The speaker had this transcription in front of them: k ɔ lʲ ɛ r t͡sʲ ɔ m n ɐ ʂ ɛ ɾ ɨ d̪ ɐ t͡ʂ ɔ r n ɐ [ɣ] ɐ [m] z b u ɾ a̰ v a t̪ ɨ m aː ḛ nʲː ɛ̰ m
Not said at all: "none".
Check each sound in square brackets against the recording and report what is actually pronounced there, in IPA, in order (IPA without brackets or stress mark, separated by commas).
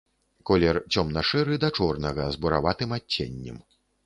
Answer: ɣ, none